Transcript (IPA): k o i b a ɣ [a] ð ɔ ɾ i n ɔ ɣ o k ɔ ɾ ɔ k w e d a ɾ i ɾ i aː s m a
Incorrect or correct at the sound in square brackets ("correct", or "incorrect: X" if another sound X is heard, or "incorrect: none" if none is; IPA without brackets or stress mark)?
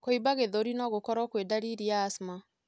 incorrect: e